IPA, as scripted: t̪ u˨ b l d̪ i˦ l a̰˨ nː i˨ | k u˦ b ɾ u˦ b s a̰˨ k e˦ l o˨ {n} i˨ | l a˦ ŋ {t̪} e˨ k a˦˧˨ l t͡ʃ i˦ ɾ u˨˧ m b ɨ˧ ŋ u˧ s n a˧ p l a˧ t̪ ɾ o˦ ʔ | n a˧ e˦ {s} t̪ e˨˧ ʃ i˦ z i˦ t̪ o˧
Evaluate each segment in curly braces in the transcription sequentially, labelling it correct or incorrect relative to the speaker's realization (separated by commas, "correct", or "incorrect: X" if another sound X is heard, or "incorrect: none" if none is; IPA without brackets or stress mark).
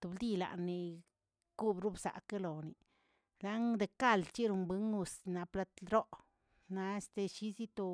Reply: correct, incorrect: d̪, correct